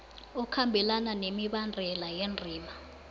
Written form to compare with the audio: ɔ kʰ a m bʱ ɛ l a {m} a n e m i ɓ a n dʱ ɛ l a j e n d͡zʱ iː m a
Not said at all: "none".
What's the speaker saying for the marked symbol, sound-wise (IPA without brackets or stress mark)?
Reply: n